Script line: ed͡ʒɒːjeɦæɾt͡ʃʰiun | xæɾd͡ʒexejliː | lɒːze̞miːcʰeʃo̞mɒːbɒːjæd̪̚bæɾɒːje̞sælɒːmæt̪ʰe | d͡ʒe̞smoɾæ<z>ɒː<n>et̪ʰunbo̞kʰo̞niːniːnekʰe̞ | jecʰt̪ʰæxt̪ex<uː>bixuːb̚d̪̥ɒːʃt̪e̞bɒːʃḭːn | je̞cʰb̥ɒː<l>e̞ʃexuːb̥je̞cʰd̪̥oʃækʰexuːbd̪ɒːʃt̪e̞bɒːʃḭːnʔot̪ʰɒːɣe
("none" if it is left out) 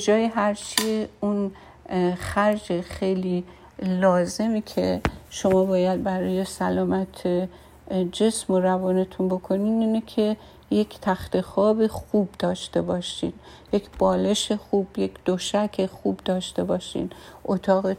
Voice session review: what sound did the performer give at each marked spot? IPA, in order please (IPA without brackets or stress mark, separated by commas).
v, n, ɒː, l